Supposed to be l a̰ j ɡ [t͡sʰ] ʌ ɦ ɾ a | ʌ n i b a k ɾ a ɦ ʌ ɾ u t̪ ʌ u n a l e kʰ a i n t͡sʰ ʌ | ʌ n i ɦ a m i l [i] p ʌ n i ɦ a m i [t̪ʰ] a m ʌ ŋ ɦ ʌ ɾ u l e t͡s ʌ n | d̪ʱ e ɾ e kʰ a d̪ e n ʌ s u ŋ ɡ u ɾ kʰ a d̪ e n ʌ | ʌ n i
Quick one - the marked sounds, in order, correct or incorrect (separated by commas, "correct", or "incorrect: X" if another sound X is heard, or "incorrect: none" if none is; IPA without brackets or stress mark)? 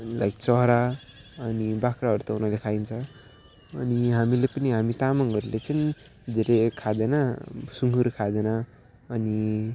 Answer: incorrect: t͡s, incorrect: e, incorrect: t̪